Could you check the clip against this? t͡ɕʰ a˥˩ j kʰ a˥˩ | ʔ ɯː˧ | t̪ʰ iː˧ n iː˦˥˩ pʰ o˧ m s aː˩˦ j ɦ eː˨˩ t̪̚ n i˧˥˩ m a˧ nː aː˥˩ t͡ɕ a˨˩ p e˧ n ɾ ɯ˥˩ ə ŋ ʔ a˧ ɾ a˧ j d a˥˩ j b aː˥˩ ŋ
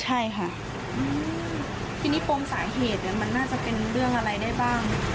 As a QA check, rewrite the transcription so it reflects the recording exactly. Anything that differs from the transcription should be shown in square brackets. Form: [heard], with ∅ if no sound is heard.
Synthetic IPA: t͡ɕʰ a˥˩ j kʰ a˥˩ | ʔ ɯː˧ | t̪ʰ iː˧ n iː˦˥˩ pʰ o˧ m s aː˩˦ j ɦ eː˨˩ t̪̚ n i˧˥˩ m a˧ nː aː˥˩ t͡ɕ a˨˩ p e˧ n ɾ ɯ˥˩ ə ŋ ʔ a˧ ɾ a˧ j d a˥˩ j b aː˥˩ ŋ